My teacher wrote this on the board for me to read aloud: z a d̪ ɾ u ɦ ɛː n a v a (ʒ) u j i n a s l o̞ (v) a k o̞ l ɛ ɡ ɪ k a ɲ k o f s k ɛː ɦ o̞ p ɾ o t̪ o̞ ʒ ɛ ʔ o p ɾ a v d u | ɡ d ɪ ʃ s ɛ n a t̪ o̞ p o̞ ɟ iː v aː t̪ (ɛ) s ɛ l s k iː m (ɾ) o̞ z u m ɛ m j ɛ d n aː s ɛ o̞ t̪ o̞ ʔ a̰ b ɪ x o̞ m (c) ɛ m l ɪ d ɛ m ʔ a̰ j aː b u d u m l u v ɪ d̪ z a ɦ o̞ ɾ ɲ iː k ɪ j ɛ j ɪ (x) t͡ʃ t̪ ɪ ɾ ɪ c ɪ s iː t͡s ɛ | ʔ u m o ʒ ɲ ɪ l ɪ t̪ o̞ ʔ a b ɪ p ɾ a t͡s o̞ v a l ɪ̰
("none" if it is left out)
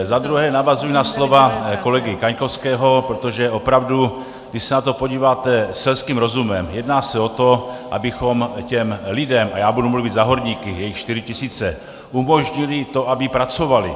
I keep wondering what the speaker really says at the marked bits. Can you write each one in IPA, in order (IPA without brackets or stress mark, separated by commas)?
z, v, ɛ, ɾ, c, x